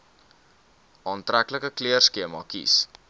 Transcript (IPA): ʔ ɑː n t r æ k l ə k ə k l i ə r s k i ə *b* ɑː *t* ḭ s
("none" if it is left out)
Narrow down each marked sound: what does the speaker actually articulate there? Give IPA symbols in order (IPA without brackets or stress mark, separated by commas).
m, k